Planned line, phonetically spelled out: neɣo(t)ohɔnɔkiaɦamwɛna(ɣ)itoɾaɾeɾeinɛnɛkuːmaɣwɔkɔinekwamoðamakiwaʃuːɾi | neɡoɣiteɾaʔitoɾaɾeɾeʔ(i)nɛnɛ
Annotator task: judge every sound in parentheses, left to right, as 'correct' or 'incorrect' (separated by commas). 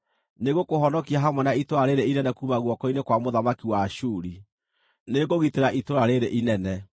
incorrect, incorrect, correct